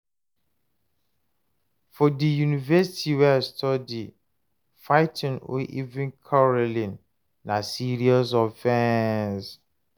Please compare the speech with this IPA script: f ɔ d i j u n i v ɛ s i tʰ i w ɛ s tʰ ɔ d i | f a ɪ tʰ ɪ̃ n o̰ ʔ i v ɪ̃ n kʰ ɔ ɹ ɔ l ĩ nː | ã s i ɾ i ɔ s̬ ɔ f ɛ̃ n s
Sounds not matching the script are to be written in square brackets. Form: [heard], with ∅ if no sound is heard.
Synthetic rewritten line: f ɔ d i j u n i v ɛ s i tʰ i w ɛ s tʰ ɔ d i | f a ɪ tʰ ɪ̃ n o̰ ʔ i v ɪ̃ n kʰ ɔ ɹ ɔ l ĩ nː | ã s i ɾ i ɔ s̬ ɔ f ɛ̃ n s